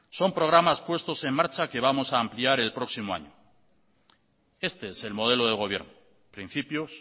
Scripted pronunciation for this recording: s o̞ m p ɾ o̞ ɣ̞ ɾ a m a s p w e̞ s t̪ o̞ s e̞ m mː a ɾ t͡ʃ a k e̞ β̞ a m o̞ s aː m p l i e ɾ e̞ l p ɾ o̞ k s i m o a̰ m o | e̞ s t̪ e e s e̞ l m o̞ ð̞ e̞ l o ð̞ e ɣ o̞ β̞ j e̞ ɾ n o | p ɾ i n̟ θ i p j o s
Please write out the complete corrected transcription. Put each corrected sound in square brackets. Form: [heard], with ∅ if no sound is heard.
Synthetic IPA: s o̞ m p ɾ o̞ ɣ̞ ɾ a m a s p w e̞ s t̪ o̞ s e̞ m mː a ɾ t͡ʃ a k e̞ β̞ a m o̞ s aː m p l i [a] ɾ e̞ l p ɾ o̞ k s i m o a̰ [ɲ] o | e̞ s t̪ e e s e̞ l m o̞ ð̞ e̞ l o ð̞ e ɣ o̞ β̞ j e̞ ɾ n o | p ɾ i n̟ θ i p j o s